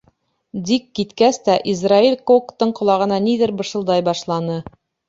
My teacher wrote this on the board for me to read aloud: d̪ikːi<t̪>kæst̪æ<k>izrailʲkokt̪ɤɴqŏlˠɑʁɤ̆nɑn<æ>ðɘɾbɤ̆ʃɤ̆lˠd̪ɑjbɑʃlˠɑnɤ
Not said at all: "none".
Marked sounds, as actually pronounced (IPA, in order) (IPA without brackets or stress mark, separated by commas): t̪, ʔ, i